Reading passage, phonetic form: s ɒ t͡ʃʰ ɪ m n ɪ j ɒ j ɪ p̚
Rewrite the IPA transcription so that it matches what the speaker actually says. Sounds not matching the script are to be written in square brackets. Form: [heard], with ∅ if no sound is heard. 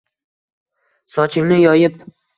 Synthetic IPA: s ɒ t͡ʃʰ ɪ [ŋ] n ɪ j ɒ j ɪ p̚